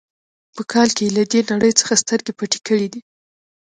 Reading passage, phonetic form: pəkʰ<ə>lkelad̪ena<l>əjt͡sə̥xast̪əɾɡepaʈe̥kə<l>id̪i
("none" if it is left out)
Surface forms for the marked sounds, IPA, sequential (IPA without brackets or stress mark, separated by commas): ɑ, ɽ, ɽ